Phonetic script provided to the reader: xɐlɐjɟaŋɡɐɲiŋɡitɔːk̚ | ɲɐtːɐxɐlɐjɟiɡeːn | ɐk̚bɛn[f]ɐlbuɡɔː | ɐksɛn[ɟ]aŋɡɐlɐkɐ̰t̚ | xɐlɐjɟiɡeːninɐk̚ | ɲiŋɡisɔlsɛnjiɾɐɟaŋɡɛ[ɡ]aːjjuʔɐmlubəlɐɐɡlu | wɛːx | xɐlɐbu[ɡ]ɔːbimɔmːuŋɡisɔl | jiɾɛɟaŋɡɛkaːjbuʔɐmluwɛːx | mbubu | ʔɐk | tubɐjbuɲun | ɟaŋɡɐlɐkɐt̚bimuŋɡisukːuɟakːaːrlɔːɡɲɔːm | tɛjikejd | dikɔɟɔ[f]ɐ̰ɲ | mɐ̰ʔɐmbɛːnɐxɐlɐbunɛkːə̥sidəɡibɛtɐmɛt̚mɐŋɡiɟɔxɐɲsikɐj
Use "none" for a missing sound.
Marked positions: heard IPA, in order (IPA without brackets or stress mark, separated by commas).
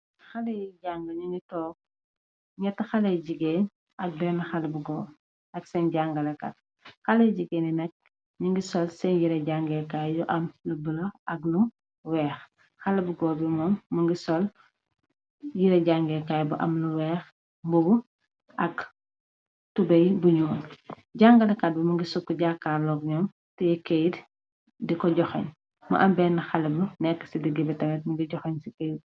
x, ɟ, k, ɡ, x